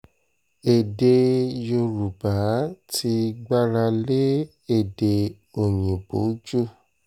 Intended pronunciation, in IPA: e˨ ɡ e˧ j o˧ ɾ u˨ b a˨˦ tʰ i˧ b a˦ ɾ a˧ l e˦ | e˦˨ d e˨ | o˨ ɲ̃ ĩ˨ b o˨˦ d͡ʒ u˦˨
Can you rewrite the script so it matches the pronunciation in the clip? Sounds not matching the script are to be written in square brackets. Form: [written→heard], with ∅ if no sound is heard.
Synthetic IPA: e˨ [ɡ→d] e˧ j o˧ ɾ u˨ b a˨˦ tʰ i˧ [b→ɡ͡b] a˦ ɾ a˧ l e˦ | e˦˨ d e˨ | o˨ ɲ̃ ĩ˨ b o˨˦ d͡ʒ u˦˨